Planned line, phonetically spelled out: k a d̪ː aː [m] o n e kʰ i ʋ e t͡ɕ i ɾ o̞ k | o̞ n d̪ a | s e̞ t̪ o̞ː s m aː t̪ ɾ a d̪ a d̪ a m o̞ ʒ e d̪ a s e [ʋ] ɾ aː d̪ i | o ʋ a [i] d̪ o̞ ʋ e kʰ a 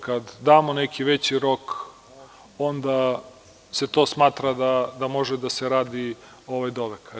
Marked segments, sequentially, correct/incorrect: correct, incorrect: none, incorrect: j

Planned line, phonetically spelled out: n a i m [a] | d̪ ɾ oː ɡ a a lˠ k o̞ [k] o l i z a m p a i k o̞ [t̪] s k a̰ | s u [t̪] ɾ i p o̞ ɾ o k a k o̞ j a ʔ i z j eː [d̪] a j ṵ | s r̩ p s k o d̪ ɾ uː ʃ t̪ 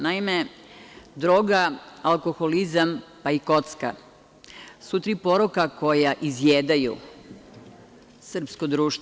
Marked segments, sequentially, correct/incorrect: incorrect: e, incorrect: x, correct, correct, correct

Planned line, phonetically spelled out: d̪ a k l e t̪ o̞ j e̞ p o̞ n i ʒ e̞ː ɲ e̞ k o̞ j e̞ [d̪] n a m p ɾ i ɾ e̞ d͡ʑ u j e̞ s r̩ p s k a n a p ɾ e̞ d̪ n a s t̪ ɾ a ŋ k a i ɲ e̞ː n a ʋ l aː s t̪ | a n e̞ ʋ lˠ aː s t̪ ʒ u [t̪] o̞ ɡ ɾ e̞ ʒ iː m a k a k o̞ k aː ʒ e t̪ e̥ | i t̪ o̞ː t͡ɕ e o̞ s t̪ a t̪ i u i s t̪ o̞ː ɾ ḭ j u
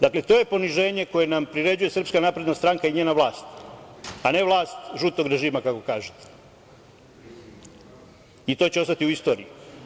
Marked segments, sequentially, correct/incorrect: incorrect: none, correct

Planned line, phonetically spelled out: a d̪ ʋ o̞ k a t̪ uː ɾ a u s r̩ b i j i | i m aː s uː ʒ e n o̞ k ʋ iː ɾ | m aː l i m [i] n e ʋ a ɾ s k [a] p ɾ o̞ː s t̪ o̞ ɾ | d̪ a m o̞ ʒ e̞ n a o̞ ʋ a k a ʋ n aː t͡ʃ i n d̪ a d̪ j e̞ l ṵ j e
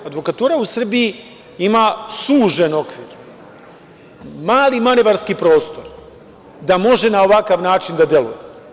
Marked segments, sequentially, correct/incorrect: incorrect: a, incorrect: i

